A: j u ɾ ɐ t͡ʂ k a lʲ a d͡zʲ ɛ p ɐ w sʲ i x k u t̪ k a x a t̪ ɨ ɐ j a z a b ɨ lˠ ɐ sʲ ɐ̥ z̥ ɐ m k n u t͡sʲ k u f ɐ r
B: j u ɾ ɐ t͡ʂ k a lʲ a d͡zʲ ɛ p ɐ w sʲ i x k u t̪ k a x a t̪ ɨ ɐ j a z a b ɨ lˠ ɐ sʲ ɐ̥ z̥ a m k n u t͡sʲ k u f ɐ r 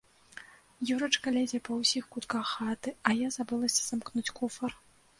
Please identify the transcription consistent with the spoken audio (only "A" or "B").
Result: B